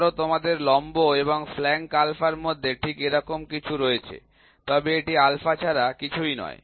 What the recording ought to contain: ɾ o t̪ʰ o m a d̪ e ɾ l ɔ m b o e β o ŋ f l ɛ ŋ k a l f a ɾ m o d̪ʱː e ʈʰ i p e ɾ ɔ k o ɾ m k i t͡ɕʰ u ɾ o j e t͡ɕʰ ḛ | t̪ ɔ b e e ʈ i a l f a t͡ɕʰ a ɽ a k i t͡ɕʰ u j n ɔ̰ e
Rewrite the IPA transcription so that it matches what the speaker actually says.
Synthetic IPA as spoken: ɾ o t̪ o m a d̪ e ɾ l ɔ m b o e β o ŋ f l ɛ ŋ k a l f a ɾ m o d̪ʱː e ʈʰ i k e ɾ ɔ k o m k i t͡ɕʰ u ɾ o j e t͡ɕʰ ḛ | t̪ ɔ b e e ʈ i a l f a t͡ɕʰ a ɾ a k i t͡ɕʰ u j n ɔ̰ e